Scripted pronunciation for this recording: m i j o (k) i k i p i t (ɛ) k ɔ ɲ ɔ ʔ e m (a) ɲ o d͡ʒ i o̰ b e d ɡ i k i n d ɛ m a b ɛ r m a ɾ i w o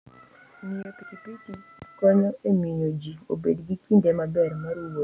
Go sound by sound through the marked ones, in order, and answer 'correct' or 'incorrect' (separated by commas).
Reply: incorrect, incorrect, incorrect